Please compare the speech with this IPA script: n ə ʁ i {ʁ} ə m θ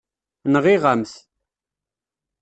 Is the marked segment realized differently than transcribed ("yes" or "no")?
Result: no